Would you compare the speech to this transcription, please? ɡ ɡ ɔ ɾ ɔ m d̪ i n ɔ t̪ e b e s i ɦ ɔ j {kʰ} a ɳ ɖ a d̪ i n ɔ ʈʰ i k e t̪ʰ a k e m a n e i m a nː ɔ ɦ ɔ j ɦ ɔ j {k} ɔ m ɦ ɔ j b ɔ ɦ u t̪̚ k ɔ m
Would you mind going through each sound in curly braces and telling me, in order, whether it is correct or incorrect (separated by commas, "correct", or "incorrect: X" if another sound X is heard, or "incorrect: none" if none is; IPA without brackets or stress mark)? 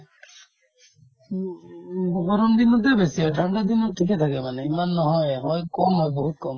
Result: incorrect: ʈʰ, correct